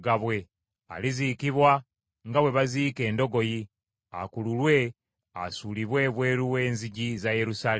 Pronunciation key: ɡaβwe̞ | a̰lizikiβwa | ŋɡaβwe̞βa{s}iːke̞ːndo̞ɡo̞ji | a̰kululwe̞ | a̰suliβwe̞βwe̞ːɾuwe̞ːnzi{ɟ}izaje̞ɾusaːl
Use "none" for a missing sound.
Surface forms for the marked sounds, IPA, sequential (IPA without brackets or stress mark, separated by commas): z, ɟ